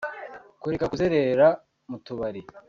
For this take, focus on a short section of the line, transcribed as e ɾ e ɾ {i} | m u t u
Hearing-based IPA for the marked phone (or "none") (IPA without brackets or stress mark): a